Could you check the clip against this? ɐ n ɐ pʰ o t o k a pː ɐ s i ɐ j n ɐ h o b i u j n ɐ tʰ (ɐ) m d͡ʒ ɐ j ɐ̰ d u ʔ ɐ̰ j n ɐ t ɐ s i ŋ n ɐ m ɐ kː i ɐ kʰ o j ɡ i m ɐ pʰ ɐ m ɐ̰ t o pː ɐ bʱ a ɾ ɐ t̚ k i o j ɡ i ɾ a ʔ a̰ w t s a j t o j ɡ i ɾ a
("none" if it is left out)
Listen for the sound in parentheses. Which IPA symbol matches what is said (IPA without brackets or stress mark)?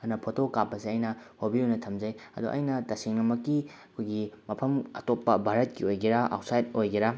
ɐ